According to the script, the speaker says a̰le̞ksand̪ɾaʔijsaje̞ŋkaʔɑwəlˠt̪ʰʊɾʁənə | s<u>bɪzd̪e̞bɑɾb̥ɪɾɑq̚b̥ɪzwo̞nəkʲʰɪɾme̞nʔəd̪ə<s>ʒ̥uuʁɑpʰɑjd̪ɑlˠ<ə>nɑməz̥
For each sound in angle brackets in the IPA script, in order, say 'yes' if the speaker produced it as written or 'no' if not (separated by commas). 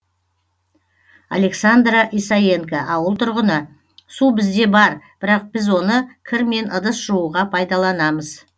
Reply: yes, yes, no